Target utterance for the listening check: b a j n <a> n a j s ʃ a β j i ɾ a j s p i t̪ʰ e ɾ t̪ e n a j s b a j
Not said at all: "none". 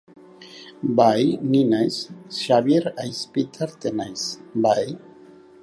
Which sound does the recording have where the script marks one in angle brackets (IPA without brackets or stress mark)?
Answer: i